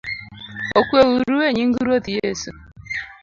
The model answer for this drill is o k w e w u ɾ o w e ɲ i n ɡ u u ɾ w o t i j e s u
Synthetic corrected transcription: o k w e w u ɾ u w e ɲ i ŋ ɡ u u ɾ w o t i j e s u